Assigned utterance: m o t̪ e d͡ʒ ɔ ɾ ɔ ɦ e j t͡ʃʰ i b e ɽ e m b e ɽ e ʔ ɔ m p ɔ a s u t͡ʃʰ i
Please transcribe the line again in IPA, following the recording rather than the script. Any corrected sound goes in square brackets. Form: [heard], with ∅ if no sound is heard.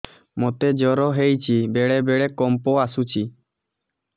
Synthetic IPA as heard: m o t̪ e d͡ʒ ɔ ɾ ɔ ɦ e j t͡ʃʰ i b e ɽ e [∅] b e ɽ e [k] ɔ m p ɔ a s u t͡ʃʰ i

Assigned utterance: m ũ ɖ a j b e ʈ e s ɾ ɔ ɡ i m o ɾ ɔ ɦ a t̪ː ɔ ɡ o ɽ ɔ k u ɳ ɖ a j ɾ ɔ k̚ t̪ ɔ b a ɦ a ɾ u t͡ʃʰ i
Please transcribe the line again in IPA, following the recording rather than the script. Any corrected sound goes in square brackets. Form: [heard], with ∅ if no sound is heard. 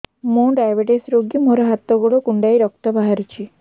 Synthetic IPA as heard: m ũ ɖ a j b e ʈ e s ɾ [o] ɡ i m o ɾ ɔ ɦ a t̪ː ɔ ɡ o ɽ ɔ k u ɳ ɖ a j ɾ ɔ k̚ t̪ ɔ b a ɦ a ɾ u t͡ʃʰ i

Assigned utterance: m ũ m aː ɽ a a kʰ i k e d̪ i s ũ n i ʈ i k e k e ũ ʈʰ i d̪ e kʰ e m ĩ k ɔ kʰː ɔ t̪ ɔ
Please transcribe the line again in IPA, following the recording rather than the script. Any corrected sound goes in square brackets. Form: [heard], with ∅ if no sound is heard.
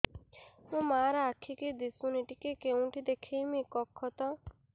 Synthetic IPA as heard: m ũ m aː [ɾ] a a kʰ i k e d̪ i s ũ n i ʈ i k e k e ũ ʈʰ i d̪ e kʰ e m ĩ k ɔ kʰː ɔ t̪ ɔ

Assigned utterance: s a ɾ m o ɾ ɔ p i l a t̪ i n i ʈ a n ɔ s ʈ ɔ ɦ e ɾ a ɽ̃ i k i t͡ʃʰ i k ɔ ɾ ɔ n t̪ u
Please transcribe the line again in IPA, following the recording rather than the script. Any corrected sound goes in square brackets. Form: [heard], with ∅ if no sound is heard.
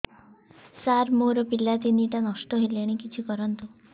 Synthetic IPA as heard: s a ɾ m o ɾ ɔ p i l a t̪ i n i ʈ a n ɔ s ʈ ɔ ɦ e [l] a ɽ̃ i k i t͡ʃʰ i k ɔ ɾ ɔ n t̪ u

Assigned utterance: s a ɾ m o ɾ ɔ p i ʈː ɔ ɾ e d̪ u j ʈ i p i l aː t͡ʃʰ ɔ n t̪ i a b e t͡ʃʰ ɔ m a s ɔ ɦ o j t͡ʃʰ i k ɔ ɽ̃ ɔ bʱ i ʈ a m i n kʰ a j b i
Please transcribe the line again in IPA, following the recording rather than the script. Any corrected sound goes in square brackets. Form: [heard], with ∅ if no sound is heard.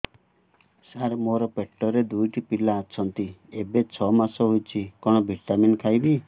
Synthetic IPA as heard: s a ɾ m o ɾ ɔ p [e] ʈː ɔ ɾ e d̪ u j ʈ i p i l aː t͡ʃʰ ɔ n t̪ i [e] b e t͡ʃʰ ɔ m a s ɔ ɦ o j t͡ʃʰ i k ɔ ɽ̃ ɔ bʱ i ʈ a m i n kʰ a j b i

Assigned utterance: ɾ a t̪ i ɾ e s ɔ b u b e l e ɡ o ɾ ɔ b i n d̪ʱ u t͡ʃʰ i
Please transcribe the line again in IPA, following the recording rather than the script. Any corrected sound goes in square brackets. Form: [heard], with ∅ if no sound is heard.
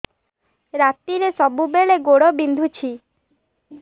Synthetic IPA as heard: ɾ a t̪ i ɾ e s ɔ b u b e [ɭ] e ɡ o [ɽ] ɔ b i n d̪ʱ u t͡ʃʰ i

